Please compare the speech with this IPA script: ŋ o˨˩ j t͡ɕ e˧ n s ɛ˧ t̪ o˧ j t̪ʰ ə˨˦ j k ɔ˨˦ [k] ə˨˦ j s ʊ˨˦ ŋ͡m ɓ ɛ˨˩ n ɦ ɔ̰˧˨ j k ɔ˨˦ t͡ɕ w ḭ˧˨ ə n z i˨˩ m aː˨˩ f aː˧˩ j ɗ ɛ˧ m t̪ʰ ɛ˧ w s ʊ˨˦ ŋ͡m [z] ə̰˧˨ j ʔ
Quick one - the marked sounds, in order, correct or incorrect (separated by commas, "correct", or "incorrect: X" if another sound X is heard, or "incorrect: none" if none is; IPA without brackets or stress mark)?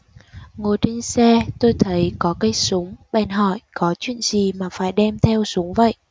correct, incorrect: v